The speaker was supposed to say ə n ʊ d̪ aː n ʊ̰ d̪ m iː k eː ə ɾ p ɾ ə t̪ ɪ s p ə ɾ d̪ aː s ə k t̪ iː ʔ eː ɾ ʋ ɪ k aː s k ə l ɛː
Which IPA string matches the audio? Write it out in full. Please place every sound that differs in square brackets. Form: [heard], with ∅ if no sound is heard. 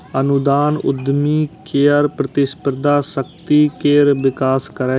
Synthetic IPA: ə n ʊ d̪ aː n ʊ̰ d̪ m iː k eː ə ɾ p ɾ ə t̪ ɪ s p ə ɾ d̪ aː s ə k t̪ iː [k] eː ɾ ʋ ɪ k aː s k ə [ɾ] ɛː